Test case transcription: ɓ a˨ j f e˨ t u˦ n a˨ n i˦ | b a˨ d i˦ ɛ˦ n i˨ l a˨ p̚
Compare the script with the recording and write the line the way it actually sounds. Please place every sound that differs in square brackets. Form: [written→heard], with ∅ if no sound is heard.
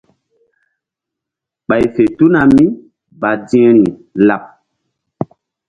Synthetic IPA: ɓ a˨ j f e˨ t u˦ n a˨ [n→m] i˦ | b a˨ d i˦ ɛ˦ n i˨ l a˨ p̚